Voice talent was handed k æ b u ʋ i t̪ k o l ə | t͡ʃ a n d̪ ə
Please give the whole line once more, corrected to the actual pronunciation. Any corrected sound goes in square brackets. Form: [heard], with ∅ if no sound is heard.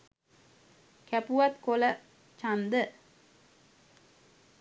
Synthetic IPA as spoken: k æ [p] u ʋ [a] t̪ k o l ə | t͡ʃ a n d̪ ə